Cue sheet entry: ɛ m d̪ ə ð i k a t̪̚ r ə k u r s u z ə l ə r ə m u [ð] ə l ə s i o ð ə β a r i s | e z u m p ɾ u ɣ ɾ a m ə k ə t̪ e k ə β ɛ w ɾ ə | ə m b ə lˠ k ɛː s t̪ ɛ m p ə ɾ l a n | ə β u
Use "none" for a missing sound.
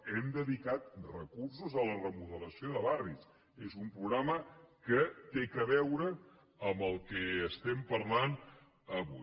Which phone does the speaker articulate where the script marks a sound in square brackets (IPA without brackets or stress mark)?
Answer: ð